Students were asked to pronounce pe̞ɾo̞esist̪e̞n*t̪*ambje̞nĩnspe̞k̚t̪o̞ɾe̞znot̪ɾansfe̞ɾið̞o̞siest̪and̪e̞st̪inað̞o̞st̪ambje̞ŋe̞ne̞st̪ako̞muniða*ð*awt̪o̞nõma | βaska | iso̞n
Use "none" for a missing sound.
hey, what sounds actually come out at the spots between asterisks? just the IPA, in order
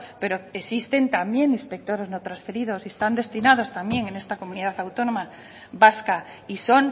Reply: t̪, θ

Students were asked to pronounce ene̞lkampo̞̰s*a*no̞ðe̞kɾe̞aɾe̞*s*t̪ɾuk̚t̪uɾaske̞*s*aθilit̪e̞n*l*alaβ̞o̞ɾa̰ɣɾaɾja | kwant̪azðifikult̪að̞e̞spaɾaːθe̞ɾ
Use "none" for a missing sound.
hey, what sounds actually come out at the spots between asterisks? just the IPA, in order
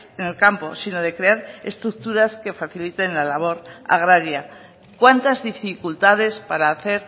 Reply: i, s, f, l

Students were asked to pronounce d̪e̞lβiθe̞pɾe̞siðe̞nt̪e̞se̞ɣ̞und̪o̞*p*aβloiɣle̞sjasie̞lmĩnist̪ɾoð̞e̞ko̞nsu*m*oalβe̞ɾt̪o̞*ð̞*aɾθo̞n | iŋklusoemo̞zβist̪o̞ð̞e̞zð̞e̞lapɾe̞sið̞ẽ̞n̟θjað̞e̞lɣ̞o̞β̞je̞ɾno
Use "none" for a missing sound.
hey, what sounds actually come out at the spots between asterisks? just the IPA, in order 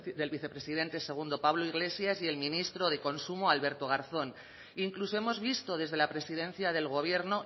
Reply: p, m, ɣ̞

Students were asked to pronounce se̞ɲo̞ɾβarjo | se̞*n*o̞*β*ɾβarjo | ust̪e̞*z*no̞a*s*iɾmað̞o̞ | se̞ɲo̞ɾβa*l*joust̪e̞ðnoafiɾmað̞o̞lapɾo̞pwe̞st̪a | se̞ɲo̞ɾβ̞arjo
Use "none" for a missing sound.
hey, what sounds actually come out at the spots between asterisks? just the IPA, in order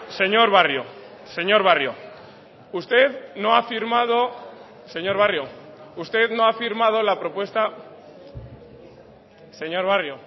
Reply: ɲ, none, ð, f, r

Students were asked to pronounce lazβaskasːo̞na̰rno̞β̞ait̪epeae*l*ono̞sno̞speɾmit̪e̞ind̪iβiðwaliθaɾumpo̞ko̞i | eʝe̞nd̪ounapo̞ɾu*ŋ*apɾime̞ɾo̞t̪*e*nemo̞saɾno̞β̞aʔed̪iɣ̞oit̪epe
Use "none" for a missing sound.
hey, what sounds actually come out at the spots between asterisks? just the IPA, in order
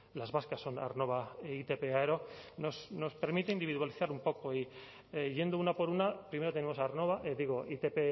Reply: ɾ, n, e

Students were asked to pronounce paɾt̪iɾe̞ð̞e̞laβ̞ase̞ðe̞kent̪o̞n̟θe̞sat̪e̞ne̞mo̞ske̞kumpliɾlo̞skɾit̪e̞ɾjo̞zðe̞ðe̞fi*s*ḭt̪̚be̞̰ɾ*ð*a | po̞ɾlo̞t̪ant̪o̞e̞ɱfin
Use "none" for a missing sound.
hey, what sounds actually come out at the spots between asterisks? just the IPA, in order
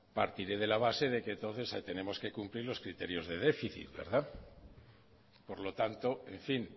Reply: θ, ð

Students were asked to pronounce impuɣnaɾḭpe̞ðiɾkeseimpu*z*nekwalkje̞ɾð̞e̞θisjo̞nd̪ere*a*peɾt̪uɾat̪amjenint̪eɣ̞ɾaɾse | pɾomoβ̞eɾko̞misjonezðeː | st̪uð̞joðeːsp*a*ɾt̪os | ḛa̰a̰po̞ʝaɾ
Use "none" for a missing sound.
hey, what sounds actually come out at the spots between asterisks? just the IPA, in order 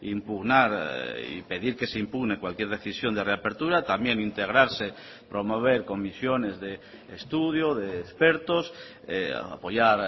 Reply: ɣ, a, e

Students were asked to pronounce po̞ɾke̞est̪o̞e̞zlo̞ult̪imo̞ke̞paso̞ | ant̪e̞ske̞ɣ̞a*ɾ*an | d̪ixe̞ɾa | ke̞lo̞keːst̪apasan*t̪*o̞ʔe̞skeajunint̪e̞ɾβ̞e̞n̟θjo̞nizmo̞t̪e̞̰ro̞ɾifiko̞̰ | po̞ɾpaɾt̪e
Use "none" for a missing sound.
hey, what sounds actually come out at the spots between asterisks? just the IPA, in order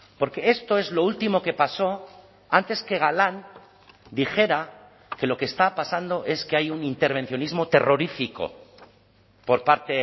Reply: l, d̪

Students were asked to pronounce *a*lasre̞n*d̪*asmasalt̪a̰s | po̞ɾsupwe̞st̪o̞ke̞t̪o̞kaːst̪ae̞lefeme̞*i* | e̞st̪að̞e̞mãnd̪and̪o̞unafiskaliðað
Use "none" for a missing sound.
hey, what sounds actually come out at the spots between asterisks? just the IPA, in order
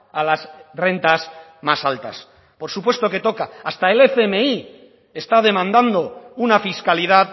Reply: a, t̪, i

